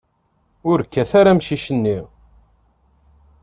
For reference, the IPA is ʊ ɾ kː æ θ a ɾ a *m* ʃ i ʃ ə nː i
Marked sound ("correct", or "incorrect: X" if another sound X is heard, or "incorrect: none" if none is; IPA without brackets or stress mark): correct